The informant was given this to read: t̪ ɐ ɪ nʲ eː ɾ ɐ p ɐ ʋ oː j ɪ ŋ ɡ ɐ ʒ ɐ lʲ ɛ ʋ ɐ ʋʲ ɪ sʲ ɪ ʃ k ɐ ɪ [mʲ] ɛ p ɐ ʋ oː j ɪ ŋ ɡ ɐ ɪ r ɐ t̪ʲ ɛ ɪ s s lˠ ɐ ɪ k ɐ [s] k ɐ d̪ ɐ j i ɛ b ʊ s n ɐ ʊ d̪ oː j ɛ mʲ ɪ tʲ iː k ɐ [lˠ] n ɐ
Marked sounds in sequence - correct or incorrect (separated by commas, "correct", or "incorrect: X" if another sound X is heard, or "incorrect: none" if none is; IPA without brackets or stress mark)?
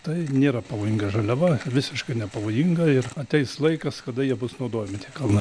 incorrect: nʲ, correct, correct